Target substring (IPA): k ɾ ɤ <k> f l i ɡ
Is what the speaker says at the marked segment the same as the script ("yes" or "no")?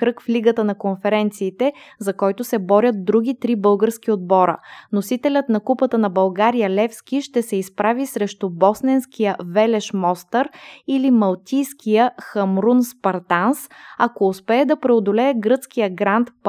yes